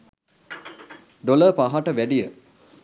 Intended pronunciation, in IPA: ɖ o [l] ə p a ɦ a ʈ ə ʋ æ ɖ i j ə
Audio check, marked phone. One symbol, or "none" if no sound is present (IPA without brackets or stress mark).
l